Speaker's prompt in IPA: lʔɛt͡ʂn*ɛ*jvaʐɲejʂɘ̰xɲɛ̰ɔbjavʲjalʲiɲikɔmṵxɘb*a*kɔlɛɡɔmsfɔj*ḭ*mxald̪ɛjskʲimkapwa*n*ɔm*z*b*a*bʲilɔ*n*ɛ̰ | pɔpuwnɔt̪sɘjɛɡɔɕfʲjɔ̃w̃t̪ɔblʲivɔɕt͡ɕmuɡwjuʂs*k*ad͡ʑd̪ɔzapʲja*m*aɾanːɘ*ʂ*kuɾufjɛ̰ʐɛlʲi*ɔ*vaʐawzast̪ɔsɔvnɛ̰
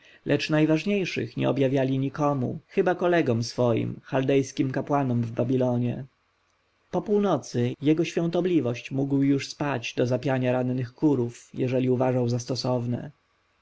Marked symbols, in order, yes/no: no, yes, yes, yes, no, yes, no, no, no, no, no

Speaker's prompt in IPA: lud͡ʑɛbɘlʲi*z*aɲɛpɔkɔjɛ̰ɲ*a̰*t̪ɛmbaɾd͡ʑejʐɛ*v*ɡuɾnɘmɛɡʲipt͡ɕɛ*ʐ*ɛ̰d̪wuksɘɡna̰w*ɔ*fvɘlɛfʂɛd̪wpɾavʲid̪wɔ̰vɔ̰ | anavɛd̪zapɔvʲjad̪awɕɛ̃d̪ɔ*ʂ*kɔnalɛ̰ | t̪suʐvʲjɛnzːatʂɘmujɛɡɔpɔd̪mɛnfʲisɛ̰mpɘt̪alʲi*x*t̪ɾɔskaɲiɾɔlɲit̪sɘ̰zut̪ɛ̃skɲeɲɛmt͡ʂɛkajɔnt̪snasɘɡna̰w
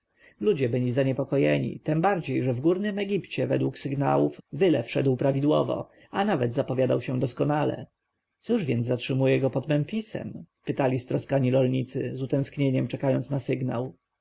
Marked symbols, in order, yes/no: yes, no, yes, no, no, no, no

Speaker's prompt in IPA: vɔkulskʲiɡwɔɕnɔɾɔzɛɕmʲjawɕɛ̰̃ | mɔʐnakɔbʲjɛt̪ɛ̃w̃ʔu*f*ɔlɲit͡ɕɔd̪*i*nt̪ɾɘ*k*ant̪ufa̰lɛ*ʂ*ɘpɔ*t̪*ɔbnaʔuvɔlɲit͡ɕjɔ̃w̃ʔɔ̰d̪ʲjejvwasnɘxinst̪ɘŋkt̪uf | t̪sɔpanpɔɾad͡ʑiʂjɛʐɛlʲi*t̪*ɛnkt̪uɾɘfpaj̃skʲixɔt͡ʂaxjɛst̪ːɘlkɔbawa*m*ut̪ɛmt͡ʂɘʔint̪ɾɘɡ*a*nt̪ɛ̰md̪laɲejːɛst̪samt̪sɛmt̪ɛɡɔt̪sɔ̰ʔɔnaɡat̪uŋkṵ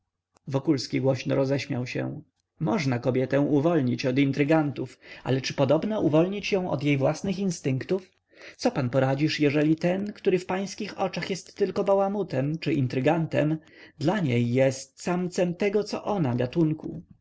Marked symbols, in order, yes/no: no, yes, no, no, no, yes, yes, yes

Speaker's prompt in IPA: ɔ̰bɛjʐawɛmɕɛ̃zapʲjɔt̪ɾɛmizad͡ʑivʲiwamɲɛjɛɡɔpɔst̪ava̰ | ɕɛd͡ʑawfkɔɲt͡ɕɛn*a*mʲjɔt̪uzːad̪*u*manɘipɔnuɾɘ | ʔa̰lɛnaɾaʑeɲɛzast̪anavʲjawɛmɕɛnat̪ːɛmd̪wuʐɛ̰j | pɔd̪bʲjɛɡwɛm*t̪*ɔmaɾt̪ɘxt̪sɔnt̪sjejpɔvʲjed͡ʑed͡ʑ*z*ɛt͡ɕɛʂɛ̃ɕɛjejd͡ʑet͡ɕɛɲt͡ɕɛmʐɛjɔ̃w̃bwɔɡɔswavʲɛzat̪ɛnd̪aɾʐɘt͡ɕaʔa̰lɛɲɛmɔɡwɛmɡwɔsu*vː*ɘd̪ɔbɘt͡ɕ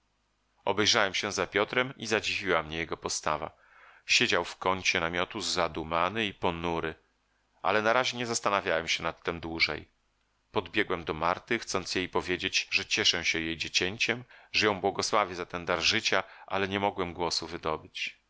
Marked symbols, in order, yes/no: yes, yes, no, no, no

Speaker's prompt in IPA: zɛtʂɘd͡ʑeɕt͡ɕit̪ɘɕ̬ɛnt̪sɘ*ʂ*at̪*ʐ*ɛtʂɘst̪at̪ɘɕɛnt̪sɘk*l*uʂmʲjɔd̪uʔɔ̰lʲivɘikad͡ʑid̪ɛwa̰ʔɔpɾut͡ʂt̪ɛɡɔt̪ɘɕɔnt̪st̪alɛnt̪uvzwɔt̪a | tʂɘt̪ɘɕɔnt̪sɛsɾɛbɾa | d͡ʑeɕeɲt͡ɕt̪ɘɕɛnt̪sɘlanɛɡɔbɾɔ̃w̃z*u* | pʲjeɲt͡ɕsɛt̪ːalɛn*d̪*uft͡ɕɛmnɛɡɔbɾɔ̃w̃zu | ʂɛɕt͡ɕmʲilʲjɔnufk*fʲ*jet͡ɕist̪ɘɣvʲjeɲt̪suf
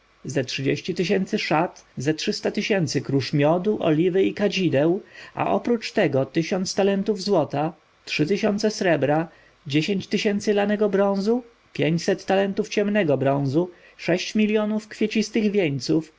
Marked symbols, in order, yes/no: yes, no, no, yes, no, yes

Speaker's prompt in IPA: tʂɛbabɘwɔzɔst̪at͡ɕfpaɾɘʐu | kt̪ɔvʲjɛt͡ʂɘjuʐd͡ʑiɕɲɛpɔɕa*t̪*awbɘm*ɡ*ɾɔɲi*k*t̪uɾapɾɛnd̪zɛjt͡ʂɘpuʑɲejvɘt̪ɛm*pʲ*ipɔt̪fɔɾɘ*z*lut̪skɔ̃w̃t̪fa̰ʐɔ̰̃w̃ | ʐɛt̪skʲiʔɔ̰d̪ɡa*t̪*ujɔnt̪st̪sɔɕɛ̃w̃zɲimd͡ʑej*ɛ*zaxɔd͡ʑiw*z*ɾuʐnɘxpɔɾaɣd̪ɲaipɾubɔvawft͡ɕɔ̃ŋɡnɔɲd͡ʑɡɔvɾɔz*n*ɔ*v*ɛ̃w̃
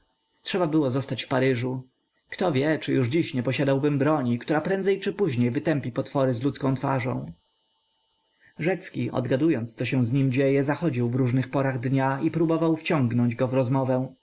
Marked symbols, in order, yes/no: no, no, yes, yes, yes, no, yes, no, no, yes

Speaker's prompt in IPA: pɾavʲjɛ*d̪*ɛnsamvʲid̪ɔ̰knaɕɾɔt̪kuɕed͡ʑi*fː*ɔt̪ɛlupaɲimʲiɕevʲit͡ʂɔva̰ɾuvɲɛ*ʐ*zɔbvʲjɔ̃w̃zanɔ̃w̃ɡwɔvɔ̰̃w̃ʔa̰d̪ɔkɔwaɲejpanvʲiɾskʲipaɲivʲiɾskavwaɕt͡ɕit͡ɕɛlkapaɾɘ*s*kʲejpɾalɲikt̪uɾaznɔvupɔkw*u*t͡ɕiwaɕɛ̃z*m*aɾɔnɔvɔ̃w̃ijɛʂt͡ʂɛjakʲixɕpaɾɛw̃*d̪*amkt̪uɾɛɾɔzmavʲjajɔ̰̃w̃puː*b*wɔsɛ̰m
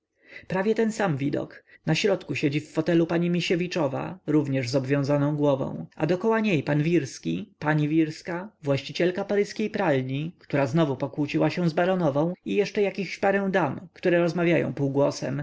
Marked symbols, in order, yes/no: no, yes, yes, yes, yes, no, yes, no

